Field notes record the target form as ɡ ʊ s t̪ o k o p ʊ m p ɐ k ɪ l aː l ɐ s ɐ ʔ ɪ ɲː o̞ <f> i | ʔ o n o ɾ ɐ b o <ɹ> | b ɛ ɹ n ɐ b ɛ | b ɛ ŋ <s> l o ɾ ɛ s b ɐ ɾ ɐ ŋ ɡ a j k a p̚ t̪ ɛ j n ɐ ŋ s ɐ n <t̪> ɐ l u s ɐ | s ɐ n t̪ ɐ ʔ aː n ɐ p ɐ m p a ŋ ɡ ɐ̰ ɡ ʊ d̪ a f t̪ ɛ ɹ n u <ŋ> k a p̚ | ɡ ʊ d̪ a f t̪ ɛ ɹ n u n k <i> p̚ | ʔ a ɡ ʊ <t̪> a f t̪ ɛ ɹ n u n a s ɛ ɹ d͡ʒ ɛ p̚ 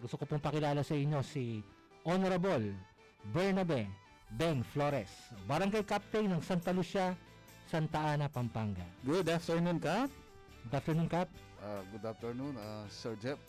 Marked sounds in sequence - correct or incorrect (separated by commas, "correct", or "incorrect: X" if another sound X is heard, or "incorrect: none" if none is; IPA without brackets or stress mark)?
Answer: incorrect: s, incorrect: l, incorrect: f, correct, incorrect: n, incorrect: a, incorrect: d̪